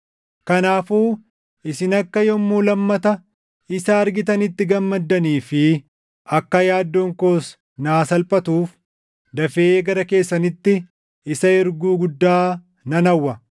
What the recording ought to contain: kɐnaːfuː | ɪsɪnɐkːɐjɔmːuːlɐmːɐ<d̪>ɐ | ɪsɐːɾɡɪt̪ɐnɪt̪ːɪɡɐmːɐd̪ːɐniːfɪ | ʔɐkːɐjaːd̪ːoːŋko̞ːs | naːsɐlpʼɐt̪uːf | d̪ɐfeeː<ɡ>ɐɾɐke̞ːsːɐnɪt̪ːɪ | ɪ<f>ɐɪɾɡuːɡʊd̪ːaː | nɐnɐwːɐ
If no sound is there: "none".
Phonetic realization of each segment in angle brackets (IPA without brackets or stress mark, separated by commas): t̪, ɡ, s